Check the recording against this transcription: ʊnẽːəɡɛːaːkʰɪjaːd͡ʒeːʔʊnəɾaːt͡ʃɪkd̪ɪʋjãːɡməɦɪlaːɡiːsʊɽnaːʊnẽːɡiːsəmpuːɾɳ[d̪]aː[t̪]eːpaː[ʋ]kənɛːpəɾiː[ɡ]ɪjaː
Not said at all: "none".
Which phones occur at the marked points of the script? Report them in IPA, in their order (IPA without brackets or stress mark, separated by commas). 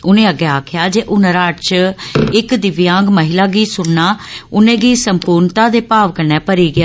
t̪, d̪, ʋ, ɡ